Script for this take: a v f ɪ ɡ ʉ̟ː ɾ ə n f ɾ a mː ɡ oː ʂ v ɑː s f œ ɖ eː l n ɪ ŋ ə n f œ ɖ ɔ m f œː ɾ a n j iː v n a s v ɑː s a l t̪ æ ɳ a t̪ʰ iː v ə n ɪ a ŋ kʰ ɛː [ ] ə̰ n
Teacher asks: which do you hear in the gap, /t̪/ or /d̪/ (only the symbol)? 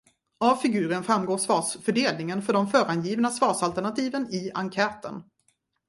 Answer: t̪